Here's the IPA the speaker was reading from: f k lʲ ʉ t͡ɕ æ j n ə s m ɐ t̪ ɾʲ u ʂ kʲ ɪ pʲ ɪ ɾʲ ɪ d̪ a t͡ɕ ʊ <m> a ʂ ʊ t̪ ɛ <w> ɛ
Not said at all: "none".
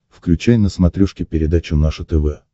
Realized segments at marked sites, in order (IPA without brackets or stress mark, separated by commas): n, v